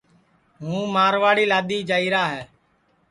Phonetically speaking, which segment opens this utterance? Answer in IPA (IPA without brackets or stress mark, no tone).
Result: ɦ